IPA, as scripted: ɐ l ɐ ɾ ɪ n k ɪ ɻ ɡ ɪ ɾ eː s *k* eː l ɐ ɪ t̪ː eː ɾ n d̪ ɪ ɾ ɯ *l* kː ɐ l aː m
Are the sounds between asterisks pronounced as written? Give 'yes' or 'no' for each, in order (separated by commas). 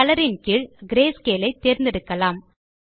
yes, no